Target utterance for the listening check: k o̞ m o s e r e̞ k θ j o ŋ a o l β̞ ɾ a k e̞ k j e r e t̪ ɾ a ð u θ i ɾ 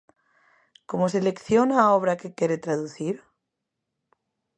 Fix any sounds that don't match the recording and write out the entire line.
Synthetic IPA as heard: k o̞ m o s e l e̞ k θ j o n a o β̞ ɾ a k e̞ k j e ɾ e t̪ ɾ a ð u θ i ɾ